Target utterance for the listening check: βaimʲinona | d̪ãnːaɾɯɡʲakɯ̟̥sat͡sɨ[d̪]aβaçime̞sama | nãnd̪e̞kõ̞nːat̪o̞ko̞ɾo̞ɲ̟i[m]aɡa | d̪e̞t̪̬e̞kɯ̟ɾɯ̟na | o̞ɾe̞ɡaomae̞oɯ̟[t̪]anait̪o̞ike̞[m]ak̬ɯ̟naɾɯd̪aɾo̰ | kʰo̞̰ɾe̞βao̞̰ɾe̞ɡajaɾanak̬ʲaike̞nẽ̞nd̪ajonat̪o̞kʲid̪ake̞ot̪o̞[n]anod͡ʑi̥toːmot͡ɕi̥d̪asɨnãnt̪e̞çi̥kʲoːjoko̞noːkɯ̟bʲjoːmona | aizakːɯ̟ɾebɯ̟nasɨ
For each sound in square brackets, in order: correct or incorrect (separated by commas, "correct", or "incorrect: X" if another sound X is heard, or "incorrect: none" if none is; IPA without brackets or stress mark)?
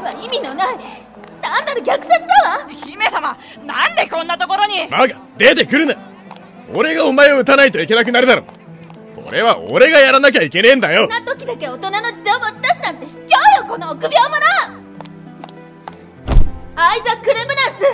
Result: correct, correct, correct, incorrect: n, correct